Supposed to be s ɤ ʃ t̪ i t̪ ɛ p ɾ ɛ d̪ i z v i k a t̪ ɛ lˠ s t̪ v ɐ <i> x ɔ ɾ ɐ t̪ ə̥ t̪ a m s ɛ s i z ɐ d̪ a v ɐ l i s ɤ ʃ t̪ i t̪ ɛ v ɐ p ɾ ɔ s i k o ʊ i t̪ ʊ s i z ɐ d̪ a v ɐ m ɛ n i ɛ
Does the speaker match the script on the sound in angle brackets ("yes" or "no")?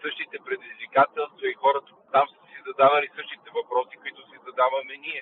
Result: yes